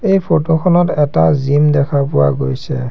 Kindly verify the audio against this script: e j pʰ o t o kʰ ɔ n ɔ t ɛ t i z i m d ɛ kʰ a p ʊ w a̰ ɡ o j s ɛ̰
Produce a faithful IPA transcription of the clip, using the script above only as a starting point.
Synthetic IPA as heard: e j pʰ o t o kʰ ɔ n ɔ t ɛ t a z i m d ɛ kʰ a p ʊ w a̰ ɡ o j s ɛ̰

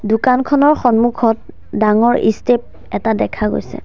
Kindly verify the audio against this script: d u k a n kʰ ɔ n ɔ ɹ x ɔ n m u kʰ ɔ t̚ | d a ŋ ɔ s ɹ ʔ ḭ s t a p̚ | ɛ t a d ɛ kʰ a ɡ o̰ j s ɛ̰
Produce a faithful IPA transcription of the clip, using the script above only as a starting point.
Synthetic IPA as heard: d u k a n kʰ ɔ n ɔ ɹ x ɔ n m u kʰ ɔ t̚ | d a ŋ ɔ ɹ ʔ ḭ s t e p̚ | ɛ t a d ɛ kʰ a ɡ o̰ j s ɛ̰

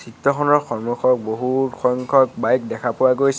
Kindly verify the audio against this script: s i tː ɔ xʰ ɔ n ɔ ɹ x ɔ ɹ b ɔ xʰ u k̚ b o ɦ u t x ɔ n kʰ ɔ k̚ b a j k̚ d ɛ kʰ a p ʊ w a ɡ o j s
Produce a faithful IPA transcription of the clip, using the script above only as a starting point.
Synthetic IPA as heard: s i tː ɔ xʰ ɔ n ɔ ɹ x ɔ ɹ m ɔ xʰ ɔ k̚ b o ɦ u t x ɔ ŋ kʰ ɔ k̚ b a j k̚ d ɛ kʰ a p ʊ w a ɡ o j s

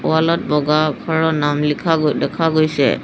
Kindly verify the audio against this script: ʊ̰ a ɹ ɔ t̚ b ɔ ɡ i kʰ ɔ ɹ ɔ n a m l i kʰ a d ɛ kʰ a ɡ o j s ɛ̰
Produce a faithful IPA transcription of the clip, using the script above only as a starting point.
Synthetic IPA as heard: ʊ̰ a l ɔ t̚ b ɔ ɡ a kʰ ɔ ɹ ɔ n a m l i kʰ a d ɛ kʰ a ɡ o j s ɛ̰

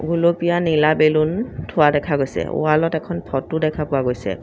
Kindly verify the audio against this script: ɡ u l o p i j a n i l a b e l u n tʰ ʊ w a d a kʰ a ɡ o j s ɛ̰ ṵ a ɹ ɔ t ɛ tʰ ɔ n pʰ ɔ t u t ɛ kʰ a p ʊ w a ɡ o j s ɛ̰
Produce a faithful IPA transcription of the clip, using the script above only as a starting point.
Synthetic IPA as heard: ɡ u l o p i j a n i l a b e l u n tʰ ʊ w a d ɛ kʰ a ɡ o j s ɛ̰ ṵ a l ɔ t ɛ kʰ ɔ n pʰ ɔ t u d ɛ kʰ a p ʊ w a ɡ o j s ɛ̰

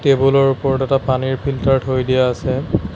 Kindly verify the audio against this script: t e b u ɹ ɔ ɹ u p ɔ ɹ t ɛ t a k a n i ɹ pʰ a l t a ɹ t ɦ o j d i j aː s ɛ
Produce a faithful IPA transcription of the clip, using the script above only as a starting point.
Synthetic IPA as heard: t e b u l ɔ ɹ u p ɔ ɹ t ɛ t a p a n i ɹ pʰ i l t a ɹ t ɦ o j d i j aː s ɛ

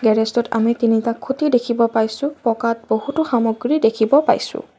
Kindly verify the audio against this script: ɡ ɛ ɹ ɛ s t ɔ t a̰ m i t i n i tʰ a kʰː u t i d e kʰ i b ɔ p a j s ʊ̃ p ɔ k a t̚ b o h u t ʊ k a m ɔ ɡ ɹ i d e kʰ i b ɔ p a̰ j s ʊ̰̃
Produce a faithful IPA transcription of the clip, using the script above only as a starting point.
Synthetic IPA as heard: ɡ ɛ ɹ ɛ s t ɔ t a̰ m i t i n i t a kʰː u t i d e kʰ i b ɔ p a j s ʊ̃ p ɔ k a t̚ b o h u t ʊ x a m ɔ ɡ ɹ i d e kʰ i b ɔ p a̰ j s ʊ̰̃

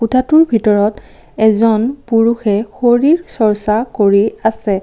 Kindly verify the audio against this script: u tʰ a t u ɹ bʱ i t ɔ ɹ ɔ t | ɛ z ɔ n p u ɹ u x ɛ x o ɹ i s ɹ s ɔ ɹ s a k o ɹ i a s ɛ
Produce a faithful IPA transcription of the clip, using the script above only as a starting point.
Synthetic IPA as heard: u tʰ a t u ɹ bʱ i t ɔ ɹ ɔ t | ɛ z ɔ n p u ɹ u x ɛ x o ɹ i ɹ s ɔ ɹ s a k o ɹ i a s ɛ

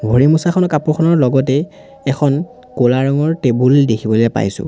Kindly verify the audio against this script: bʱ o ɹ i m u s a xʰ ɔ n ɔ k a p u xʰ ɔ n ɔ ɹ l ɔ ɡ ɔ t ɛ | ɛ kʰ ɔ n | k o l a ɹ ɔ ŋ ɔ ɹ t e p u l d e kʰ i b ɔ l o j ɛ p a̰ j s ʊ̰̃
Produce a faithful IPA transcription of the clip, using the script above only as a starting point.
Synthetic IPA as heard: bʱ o ɹ i m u s a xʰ ɔ n ɔ k a p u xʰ ɔ n ɔ ɹ l ɔ ɡ ɔ t ɛ | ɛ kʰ ɔ n | k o l a ɹ ɔ ŋ ɔ ɹ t e b u l d e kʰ i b ɔ l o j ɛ p a̰ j s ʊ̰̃

